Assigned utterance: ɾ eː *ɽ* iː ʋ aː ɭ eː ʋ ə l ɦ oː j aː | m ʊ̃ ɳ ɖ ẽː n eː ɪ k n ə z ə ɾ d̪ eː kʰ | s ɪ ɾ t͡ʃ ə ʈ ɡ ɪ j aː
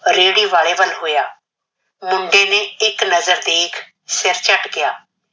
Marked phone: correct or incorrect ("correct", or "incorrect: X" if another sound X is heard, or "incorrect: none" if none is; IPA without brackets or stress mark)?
correct